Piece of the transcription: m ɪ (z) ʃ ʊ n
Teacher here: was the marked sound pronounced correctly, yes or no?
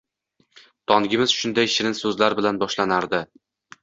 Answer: yes